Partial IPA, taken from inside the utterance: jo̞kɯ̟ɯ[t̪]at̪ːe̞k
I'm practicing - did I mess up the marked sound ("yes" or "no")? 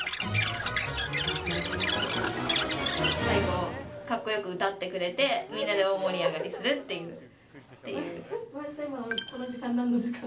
no